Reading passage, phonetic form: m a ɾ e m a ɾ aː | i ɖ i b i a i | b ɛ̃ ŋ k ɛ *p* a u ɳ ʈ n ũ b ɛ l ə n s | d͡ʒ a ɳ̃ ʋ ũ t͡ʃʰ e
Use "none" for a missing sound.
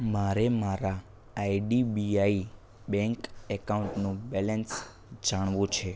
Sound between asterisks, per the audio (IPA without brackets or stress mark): k